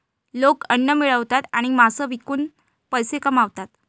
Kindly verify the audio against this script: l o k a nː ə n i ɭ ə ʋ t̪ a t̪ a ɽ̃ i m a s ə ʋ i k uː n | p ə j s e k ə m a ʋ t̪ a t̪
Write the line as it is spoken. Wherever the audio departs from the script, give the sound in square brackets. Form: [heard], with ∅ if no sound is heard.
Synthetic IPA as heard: l o k [ə] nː ə [m] i ɭ ə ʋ t̪ a t̪ a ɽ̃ i m a s ə ʋ i k uː n | p ə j s e k ə m a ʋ t̪ a t̪

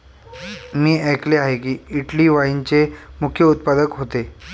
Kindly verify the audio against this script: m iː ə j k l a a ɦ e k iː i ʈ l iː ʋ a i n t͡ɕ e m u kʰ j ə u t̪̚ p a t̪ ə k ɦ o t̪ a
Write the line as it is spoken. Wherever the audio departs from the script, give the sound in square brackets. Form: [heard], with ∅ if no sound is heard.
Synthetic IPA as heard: m iː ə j k l [e] a ɦ e k iː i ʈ l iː ʋ a i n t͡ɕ e m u kʰ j ə u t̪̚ p a [d̪] ə k ɦ o t̪ [e]

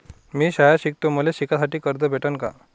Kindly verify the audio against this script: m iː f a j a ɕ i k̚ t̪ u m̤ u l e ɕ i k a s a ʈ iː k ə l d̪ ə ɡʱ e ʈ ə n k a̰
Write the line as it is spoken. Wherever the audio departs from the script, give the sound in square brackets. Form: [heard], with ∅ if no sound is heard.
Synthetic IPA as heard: m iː [ɕ] a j a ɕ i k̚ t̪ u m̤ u l e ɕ i k a s a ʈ iː k ə [ɾ] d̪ ə [bʱ] e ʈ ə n k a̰

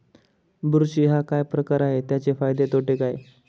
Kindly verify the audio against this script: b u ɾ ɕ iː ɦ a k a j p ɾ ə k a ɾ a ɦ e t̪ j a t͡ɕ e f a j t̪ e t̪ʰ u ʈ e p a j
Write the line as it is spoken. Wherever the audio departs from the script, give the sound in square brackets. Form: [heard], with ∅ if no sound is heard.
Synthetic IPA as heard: b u ɾ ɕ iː ɦ a k a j p ɾ ə k a ɾ a ɦ e t̪ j a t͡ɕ e f a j [d̪] e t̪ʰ [o] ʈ e [k] a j

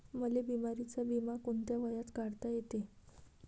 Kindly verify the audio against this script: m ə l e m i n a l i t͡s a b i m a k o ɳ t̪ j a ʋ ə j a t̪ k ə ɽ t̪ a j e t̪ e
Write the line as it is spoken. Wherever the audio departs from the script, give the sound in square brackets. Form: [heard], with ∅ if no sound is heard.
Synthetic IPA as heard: m ə l e [b] i [m] a [ɾ] i t͡s a b i m a k o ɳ t̪ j a ʋ ə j a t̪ k [a] ɽ t̪ a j e t̪ e

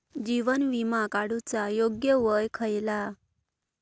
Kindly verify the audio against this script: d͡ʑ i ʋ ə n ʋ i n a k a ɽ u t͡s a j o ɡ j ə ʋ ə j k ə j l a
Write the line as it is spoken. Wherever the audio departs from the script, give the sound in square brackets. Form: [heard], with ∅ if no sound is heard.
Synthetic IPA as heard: d͡ʑ i ʋ ə n ʋ i [m] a k a ɽ u t͡s a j o ɡ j ə ʋ ə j [kʰ] ə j l a

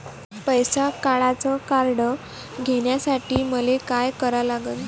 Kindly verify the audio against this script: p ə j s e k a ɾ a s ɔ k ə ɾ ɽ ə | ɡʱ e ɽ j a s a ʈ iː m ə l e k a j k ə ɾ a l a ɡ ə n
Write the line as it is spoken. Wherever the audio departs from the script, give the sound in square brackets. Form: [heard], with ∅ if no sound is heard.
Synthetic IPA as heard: p ə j s [a] k a [ɭ] a [t͡s] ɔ k [a] ɾ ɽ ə | ɡʱ e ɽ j a s a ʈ iː m ə l e k a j k ə ɾ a l a ɡ ə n

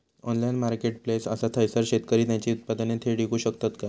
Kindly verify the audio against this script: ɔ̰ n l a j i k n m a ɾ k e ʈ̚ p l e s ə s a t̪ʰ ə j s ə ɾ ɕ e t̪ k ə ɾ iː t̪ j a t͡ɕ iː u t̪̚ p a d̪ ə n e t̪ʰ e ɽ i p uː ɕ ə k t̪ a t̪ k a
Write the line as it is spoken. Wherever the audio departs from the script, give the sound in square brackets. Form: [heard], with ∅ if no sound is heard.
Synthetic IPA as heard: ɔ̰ n l a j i [∅] n m a ɾ k e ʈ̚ p l e s ə s a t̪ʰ ə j s ə ɾ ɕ e t̪ k ə ɾ iː t̪ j a t͡ɕ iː u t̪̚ p a d̪ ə n e t̪ʰ e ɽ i [k] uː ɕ ə k t̪ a t̪ k a

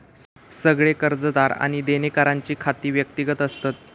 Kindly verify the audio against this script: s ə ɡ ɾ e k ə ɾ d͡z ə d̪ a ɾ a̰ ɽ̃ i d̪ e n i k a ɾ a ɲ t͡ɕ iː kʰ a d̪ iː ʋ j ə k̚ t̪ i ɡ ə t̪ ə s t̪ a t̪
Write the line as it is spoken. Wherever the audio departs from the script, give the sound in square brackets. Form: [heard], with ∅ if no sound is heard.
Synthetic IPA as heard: s ə ɡ [ɭ] e k ə ɾ d͡z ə d̪ a ɾ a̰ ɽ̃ i d̪ e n [e] k a ɾ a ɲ t͡ɕ iː kʰ a [t̪] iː ʋ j ə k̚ t̪ i ɡ ə t̪ ə s t̪ a t̪

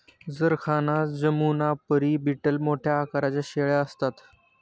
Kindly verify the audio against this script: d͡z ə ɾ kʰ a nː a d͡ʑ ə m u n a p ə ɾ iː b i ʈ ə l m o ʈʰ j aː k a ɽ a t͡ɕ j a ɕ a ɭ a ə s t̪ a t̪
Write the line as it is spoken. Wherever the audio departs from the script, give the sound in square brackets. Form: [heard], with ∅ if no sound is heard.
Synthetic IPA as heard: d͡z ə ɾ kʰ a [n] a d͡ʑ ə m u n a p ə ɾ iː b i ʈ ə l m o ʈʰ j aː k a [ɾ] a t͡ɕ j a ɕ [e] ɭ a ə s t̪ a t̪

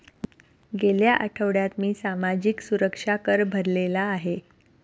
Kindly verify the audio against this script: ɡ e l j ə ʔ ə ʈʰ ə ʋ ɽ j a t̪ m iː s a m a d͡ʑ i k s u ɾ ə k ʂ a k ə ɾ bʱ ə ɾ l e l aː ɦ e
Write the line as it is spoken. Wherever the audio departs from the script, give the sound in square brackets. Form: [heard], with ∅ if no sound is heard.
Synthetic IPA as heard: ɡ e l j [a] ʔ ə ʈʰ ə ʋ ɽ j a t̪ m iː s a m a d͡ʑ i k s u ɾ ə k ʂ a k ə ɾ bʱ ə ɾ l e l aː ɦ e

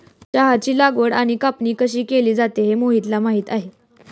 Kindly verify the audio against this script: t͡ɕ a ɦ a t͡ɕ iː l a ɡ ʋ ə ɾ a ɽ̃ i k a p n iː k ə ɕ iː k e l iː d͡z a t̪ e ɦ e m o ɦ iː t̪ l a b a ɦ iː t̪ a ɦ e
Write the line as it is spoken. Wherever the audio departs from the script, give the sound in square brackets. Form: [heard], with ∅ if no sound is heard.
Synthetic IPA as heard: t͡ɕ a ɦ a t͡ɕ iː l a ɡ ʋ ə [ɽ] a ɽ̃ i k a p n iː k ə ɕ iː k e l iː d͡z a t̪ e ɦ e m o ɦ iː t̪ l a [m] a ɦ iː t̪ a ɦ e

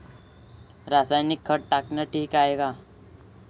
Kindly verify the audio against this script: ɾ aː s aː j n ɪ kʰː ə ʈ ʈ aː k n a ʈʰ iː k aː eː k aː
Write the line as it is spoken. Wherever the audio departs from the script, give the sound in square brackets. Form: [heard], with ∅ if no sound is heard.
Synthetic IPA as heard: ɾ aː s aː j n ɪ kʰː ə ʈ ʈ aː k n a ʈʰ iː k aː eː [ɡ] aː

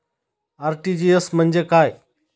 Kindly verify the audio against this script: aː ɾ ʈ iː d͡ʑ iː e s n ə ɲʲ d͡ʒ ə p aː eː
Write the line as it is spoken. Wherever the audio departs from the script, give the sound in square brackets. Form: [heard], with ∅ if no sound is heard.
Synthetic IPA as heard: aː ɾ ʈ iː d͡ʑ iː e s [m] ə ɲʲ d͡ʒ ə [k] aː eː

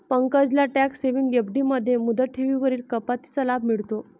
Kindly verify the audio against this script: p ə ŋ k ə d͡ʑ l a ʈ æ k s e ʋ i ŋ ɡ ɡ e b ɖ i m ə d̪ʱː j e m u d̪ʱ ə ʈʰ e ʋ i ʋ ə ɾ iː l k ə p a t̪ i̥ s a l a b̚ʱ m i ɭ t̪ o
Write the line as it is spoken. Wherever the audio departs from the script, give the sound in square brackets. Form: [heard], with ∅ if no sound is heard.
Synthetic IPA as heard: p ə ŋ k ə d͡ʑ l a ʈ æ k s e ʋ i ŋ ɡ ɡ e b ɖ i m ə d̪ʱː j e m u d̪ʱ ə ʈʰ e ʋ i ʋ ə ɾ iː l k ə p a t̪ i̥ [t͡s] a l a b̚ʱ m i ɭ t̪ o

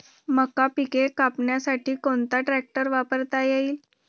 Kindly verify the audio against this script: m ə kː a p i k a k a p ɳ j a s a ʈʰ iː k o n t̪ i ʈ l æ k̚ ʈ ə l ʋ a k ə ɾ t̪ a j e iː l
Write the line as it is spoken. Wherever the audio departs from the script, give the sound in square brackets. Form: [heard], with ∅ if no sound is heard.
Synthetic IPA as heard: m ə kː a p i k [e] k a p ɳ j a s a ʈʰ iː k o n t̪ [a] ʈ [ɾ] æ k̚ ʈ ə [ɾ] ʋ a [p] ə ɾ t̪ a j e iː l

